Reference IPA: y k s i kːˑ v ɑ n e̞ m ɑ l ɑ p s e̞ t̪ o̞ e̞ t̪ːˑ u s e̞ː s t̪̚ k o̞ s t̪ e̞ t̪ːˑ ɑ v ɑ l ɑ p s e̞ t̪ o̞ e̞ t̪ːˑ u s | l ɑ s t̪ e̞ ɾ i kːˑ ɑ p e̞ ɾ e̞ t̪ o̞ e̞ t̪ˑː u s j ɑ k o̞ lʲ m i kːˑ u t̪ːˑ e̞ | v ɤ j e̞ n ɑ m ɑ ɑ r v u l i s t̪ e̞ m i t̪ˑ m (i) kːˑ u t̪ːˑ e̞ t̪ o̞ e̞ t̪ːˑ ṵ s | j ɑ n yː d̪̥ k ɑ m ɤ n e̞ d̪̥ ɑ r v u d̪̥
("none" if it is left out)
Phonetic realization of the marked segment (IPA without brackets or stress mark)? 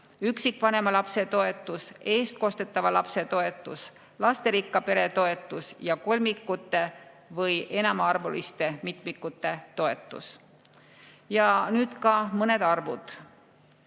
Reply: i